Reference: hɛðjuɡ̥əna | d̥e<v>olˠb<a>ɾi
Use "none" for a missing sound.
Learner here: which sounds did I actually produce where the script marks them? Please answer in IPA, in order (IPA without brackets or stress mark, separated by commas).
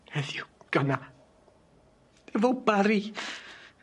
v, a